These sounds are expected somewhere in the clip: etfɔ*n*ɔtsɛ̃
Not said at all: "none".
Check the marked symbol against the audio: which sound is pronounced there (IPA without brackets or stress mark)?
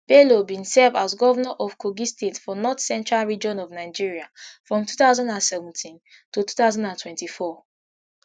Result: n